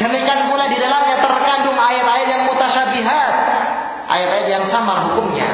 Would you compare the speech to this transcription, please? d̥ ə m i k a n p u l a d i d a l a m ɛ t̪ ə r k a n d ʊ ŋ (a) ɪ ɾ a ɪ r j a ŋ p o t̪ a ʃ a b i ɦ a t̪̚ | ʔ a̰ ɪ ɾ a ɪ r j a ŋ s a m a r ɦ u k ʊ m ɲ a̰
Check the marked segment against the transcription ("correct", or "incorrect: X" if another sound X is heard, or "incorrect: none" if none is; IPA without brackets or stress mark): correct